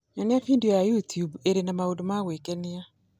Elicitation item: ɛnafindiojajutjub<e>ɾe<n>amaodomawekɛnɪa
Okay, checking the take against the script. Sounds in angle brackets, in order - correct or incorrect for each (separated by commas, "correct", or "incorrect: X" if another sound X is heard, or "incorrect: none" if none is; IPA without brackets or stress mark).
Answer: correct, correct